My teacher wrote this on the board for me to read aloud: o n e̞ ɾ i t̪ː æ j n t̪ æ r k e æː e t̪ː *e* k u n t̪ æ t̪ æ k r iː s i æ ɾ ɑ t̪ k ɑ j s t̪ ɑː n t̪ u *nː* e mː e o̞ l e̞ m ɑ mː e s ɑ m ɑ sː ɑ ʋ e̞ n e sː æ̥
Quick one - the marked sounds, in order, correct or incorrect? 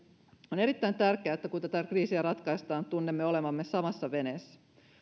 incorrect: æ, correct

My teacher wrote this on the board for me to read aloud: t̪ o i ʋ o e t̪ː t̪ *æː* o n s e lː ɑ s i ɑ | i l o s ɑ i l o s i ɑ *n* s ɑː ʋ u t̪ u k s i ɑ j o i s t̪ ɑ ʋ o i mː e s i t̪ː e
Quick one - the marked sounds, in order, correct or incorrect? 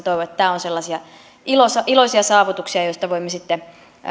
correct, incorrect: none

